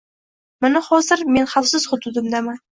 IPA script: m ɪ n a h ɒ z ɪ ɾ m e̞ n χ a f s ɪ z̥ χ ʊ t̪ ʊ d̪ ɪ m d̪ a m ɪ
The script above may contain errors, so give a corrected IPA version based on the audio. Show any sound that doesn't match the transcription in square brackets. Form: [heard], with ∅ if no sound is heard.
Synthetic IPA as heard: m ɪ n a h ɒ z ɪ ɾ m e̞ n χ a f s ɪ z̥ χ ʊ [d̪] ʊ d̪ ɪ m d̪ a m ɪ